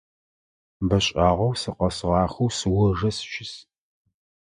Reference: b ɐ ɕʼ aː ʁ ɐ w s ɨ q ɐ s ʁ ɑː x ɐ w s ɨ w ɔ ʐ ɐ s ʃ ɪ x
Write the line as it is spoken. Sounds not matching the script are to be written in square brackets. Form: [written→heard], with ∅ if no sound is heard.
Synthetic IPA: b ɐ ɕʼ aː ʁ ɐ w s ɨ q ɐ s ʁ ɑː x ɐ w s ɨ w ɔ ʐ ɐ s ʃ ɪ [x→s]